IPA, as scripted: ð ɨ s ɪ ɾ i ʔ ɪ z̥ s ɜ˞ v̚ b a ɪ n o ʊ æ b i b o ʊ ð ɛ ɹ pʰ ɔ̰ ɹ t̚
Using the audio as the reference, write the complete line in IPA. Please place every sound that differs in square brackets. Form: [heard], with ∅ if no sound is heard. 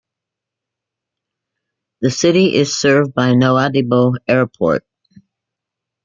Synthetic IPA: ð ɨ s ɪ ɾ i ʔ ɪ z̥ s ɜ˞ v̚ b a ɪ n o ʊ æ [d] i b o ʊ [∅] ɛ ɹ pʰ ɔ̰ ɹ t̚